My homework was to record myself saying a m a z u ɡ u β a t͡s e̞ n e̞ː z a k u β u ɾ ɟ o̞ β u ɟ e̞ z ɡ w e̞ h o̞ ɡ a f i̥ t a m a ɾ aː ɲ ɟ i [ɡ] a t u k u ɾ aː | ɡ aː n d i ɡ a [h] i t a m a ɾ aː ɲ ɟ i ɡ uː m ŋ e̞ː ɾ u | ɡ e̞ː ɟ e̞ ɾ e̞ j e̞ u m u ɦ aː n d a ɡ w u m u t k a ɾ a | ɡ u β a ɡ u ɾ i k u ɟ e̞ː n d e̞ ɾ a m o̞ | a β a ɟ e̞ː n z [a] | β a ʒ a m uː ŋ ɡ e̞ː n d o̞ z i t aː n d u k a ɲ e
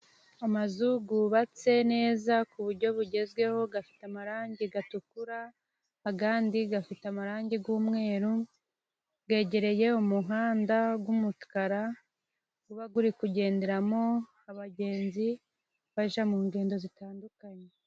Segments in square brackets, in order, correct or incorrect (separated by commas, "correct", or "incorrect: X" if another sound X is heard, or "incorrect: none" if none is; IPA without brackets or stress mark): correct, incorrect: f, incorrect: i